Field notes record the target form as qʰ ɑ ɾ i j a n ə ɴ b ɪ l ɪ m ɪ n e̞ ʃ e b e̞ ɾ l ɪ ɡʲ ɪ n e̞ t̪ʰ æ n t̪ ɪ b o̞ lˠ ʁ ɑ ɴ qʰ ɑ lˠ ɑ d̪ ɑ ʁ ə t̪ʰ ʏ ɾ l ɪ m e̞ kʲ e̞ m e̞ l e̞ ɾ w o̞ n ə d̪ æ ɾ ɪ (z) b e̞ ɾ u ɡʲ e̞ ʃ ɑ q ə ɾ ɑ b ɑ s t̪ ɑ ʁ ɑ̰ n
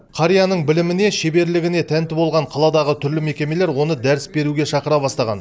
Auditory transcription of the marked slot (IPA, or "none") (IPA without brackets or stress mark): s